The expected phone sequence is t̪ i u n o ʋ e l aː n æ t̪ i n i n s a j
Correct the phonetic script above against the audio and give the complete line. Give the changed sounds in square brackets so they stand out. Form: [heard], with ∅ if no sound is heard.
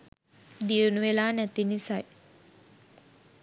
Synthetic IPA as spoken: [d̪] i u n [u] ʋ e l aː n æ t̪ i n i [∅] s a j